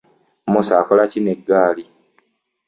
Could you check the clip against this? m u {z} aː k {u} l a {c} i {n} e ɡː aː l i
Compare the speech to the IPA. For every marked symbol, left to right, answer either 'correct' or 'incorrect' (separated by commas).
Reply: incorrect, incorrect, correct, correct